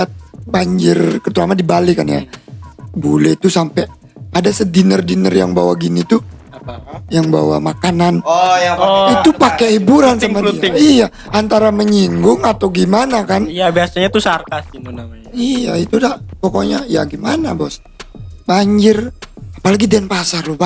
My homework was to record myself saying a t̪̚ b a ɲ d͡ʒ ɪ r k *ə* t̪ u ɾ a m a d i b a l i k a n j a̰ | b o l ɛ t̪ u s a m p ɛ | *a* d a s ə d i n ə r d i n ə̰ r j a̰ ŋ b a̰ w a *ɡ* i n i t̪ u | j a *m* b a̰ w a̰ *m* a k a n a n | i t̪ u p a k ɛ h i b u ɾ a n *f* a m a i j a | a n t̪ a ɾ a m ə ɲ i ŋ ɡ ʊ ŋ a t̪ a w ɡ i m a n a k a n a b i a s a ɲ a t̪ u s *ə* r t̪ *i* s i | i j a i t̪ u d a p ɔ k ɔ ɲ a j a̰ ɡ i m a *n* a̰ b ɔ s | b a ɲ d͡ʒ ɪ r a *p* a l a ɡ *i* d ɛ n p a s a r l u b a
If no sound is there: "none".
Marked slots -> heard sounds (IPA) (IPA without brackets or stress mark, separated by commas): ə, a, ɡ, ŋ, m, s, a, a, n, p, i